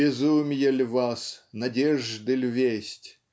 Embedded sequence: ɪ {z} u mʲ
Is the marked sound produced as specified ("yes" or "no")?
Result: yes